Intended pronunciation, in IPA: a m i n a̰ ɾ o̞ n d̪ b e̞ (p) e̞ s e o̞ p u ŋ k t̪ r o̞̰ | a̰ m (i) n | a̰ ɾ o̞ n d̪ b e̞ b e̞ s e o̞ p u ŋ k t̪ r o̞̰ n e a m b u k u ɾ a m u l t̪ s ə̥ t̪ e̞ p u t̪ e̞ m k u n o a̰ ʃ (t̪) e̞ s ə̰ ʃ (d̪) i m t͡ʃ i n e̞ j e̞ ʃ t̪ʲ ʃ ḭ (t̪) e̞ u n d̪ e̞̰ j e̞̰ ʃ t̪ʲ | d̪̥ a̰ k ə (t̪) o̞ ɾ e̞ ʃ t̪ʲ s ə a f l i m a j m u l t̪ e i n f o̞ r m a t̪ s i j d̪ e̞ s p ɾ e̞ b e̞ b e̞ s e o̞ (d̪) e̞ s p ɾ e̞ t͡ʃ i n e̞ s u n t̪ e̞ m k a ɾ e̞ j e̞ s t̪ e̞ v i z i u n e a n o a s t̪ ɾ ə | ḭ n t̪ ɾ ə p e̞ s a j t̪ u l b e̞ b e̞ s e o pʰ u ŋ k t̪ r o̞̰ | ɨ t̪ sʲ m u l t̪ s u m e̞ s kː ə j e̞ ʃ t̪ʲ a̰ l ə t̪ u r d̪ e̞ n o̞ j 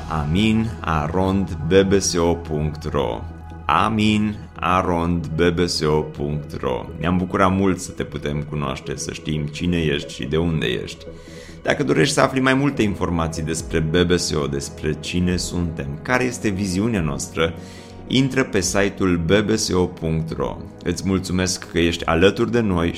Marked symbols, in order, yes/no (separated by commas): no, yes, yes, no, no, no, yes